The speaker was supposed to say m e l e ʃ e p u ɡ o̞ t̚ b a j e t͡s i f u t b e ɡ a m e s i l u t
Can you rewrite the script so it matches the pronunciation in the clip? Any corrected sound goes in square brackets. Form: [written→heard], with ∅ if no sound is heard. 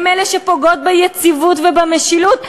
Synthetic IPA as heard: m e l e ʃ e p [u→o] ɡ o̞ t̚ b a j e t͡s i [f→v] u t [b→v] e [ɡ→b] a m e [s→ʃ] i l u t

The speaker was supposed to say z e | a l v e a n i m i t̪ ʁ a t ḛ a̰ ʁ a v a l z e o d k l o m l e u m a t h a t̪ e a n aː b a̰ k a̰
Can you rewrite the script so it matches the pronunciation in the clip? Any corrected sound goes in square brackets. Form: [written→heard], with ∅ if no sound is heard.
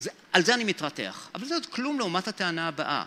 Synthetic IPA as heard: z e | a l [v→z] e a n i m i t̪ ʁ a t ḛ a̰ [ʁ→χ] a v a l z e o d k l [o→u] m l e u m a t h a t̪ e a n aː b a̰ [k→ʔ] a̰

